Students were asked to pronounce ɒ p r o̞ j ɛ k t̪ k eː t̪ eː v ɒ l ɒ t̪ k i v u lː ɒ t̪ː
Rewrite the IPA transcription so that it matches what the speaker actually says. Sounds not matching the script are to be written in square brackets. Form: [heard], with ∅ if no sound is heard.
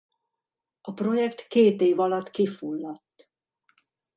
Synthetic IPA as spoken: ɒ p r o̞ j ɛ k t̪ k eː t̪ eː v ɒ l ɒ t̪ k i [f] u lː ɒ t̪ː